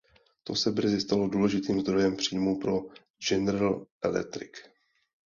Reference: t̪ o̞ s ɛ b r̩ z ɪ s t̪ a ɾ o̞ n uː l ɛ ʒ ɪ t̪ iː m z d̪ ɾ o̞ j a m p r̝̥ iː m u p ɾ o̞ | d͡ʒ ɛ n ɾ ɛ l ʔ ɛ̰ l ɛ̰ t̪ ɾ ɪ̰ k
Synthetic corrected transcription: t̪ o̞ s ɛ b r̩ z ɪ s t̪ a l o̞ d uː l ɛ ʒ ɪ t̪ iː m z d̪ ɾ o̞ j ɛ m p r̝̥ iː m u p ɾ o̞ | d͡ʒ ɛ n ɾ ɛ l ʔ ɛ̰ l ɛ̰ t̪ ɾ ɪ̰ k